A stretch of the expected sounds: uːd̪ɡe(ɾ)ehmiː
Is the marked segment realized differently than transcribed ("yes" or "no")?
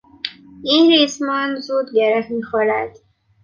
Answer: no